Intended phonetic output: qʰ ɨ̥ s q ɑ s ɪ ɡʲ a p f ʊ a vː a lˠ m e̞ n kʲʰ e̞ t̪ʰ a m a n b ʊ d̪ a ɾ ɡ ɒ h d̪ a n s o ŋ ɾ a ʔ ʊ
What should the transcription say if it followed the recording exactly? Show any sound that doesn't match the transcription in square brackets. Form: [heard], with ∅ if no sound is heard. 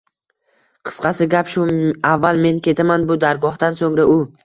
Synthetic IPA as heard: qʰ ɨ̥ s q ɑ s ɪ ɡʲ a p [ʃ] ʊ a vː a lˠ m e̞ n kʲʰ e̞ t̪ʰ a m a n b ʊ d̪ a ɾ ɡ ɒ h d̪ a n s o ŋ ɾ a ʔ ʊ